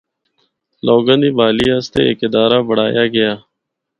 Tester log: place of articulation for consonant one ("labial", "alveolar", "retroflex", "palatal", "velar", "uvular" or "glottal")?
alveolar